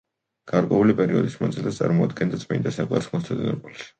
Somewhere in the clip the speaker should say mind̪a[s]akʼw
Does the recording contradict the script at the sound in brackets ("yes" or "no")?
no